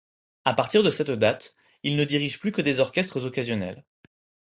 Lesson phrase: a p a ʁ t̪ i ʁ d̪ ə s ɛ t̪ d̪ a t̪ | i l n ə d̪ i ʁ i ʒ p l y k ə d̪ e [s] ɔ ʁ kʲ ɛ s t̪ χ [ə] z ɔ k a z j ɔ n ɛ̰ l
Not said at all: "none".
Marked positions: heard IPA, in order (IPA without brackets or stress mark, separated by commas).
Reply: z, ə